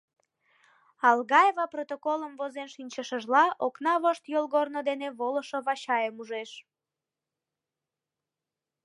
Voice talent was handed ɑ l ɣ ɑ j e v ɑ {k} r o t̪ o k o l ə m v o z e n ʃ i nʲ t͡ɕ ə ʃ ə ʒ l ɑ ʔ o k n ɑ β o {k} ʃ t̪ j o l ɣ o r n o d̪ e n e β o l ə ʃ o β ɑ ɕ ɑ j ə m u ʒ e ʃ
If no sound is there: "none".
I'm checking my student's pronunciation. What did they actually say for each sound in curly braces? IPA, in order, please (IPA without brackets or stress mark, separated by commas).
p, none